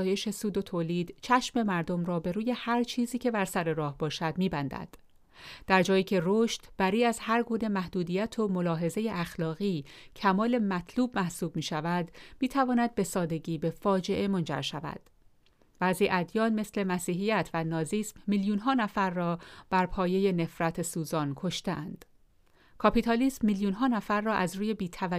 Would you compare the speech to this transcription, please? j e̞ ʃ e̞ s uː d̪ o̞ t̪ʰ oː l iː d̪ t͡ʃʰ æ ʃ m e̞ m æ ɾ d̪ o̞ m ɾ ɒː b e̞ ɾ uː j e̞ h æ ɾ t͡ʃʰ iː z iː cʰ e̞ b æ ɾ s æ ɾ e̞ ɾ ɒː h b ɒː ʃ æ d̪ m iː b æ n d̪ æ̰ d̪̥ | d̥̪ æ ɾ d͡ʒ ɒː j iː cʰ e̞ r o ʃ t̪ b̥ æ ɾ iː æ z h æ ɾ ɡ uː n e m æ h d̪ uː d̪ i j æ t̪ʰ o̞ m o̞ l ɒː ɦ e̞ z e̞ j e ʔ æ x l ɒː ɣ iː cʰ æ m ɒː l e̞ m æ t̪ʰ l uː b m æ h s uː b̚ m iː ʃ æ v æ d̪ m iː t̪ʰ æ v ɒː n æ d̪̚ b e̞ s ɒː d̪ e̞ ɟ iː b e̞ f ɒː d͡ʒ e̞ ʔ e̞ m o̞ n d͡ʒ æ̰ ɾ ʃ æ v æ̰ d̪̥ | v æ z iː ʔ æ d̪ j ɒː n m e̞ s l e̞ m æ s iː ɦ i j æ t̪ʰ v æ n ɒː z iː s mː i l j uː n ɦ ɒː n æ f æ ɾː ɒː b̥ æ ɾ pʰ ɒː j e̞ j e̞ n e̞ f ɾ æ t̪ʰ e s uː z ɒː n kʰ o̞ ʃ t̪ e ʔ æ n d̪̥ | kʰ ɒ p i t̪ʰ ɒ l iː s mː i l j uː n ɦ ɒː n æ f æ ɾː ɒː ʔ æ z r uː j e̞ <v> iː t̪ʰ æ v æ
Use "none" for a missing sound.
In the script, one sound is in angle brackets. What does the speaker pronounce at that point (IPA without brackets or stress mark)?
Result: b